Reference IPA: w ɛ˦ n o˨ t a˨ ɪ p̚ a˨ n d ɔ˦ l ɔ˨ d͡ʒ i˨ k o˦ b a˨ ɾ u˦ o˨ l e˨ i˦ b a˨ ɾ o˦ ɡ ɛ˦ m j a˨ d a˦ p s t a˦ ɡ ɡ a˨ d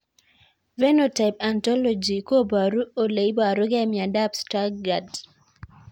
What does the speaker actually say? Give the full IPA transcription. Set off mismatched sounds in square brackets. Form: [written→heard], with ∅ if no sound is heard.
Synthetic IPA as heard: [w→v] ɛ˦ n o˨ t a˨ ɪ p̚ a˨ n [d→t] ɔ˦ l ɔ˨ d͡ʒ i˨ k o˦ b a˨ ɾ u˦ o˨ l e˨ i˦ b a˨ ɾ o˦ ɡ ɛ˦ m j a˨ d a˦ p s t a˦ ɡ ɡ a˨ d

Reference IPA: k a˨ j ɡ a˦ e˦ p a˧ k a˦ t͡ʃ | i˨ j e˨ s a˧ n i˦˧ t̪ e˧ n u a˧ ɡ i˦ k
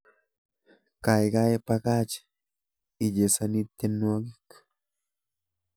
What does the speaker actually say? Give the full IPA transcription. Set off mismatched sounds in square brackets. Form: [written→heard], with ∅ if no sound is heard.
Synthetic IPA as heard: k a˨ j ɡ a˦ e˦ p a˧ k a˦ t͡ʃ | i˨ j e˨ s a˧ n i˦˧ t̪ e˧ n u a˧ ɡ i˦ k

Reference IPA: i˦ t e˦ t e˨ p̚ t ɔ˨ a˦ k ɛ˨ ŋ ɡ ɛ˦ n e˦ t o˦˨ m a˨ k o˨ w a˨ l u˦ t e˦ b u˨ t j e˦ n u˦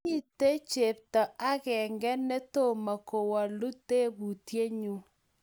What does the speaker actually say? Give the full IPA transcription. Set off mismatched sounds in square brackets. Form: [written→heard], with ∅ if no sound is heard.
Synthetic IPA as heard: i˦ t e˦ [t→t͡ʃ] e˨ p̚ t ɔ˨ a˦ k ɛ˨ ŋ ɡ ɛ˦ n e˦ t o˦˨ m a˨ k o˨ w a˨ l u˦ t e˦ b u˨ t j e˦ [n→ɲ] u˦

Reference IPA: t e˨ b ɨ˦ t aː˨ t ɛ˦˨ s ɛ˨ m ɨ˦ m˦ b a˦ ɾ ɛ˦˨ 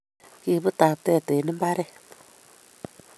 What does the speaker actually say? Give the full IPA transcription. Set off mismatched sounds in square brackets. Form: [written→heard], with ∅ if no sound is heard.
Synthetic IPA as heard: [t→k] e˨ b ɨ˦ t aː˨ t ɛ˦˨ [s→t] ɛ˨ [m→n] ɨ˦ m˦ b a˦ ɾ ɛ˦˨

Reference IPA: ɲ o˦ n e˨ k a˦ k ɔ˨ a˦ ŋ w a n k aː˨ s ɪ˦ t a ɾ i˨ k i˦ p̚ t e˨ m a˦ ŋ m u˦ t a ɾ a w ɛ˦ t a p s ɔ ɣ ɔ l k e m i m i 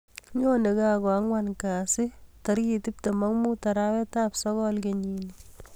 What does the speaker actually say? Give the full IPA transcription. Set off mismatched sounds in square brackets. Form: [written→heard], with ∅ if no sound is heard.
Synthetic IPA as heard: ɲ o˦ n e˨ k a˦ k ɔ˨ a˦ ŋ w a n k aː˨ s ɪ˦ t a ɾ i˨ [k→t] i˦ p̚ t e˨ m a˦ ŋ m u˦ t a ɾ a w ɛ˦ t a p s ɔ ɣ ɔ l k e [m→ɲ] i [m→n] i

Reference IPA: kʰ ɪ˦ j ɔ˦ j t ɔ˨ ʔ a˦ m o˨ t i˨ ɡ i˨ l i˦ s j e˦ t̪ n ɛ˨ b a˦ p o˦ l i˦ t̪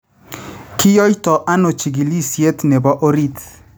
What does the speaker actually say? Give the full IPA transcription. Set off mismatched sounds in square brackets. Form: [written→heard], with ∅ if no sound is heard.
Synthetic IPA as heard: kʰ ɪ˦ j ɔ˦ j t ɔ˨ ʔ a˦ [m→n] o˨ [t→t͡ʃ] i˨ ɡ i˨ l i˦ s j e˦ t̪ n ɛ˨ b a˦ [p→ʔ] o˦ [l→ɾ] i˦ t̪

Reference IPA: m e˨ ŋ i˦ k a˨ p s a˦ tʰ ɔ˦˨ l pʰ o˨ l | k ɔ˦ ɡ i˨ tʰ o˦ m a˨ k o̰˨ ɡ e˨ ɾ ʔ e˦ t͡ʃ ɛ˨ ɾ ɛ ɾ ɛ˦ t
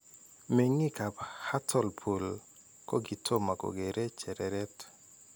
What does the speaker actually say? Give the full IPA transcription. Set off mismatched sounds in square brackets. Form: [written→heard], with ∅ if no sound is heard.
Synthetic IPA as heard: m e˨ ŋ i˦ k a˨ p [s→h] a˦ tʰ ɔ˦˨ l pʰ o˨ l | k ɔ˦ ɡ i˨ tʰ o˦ m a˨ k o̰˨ ɡ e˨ ɾ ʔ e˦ t͡ʃ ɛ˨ ɾ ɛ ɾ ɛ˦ t

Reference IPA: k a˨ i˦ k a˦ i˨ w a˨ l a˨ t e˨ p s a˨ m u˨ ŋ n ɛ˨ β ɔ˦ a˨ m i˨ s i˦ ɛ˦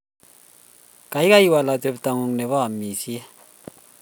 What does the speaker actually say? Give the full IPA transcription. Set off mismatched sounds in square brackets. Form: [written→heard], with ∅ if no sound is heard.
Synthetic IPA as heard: k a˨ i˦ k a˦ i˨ w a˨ l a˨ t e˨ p [s→t] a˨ [m→ŋ] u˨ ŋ n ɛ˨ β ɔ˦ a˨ m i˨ s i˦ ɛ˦

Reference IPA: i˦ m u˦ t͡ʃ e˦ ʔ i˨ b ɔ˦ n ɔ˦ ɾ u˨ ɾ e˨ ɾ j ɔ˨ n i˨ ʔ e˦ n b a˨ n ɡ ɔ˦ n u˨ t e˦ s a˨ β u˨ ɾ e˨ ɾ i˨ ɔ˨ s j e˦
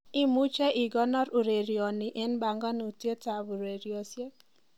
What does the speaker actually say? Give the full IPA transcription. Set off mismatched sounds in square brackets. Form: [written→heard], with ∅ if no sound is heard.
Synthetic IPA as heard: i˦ m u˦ t͡ʃ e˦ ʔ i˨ [b→ɡ] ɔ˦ n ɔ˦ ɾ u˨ ɾ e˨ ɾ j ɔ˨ n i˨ ʔ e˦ n b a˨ [n→ŋ] ɡ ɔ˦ n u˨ t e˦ [s→t] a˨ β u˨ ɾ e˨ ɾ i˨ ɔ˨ s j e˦

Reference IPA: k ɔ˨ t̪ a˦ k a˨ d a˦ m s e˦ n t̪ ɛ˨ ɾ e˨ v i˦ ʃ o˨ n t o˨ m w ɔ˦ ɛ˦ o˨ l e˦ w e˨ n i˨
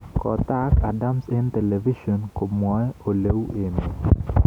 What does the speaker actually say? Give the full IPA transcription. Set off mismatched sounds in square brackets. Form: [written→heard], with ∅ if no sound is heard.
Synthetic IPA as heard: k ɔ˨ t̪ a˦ k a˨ d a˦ m s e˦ n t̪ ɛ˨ [ɾ→l] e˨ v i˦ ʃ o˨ n [t→k] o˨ m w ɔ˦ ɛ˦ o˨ l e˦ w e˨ n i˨

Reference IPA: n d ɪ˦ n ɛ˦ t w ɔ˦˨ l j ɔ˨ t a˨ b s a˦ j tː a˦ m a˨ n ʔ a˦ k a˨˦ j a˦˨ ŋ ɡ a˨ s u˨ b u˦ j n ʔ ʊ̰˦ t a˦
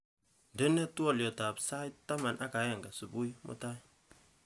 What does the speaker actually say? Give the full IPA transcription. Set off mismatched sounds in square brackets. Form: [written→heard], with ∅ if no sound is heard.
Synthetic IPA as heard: n d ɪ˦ n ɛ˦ t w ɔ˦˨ l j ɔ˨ t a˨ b s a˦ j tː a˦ m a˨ n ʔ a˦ k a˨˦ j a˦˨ ŋ ɡ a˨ s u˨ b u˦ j [n→m] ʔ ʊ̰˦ t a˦

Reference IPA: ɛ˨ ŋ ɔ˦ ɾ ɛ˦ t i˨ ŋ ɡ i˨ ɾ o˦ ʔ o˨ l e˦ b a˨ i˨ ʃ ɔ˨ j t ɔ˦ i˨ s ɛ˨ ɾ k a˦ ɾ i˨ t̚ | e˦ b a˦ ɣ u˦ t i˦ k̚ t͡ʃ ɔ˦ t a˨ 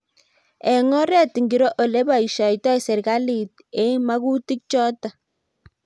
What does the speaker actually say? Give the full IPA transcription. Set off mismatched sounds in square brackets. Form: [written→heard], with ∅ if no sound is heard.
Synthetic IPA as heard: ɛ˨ ŋ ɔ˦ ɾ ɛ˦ t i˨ ŋ ɡ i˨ ɾ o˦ ʔ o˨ l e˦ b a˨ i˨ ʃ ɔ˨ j t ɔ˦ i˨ s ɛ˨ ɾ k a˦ [ɾ→l] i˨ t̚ | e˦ [b→m] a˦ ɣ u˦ t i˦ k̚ t͡ʃ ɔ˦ t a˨

